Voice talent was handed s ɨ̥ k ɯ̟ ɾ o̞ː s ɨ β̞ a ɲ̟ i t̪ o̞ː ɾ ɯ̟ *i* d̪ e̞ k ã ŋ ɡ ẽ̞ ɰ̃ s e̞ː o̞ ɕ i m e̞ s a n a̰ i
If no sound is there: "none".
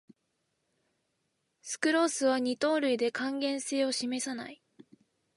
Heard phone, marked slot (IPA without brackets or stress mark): i